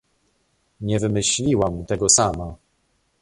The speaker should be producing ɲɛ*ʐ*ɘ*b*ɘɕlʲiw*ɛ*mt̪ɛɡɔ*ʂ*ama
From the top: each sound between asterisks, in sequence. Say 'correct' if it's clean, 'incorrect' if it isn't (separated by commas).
incorrect, incorrect, incorrect, incorrect